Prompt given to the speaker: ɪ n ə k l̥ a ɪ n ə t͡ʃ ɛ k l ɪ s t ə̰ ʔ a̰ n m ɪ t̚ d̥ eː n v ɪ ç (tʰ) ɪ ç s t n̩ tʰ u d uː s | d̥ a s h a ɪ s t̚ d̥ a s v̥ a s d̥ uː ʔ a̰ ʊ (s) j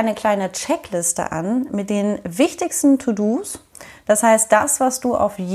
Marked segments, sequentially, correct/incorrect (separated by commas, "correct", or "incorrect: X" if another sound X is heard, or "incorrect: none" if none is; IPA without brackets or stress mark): incorrect: t, incorrect: f